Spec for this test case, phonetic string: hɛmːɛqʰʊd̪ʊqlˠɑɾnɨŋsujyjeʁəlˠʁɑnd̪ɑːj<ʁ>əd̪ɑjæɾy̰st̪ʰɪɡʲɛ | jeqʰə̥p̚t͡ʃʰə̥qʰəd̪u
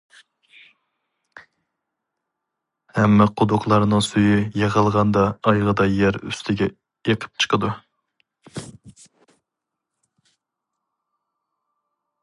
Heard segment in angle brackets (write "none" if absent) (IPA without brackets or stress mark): ʁ